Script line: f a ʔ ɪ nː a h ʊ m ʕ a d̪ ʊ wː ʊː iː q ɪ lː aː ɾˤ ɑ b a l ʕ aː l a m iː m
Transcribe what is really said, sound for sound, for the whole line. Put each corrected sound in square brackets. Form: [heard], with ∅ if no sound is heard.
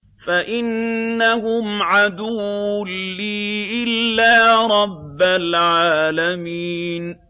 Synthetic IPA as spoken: f a ʔ ɪ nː a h ʊ m ʕ a d̪ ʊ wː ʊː iː [ʔ] ɪ lː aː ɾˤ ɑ [bː] a l ʕ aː l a m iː [n]